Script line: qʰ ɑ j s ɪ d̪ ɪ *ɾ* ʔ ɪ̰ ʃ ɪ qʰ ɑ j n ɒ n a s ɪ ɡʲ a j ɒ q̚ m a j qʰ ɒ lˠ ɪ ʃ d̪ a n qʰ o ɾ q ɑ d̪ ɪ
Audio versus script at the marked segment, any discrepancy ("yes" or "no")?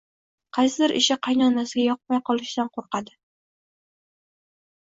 no